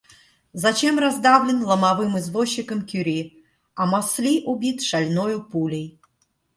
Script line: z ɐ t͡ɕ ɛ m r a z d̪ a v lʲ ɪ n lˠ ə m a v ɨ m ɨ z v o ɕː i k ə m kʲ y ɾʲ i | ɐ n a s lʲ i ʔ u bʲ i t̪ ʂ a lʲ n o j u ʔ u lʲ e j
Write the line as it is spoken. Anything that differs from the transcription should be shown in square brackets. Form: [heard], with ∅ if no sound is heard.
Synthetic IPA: z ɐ t͡ɕ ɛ m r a z d̪ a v lʲ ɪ n lˠ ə m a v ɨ m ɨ z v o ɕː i k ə m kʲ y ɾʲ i | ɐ [m] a s lʲ i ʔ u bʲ i t̪ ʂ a lʲ n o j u [p] u lʲ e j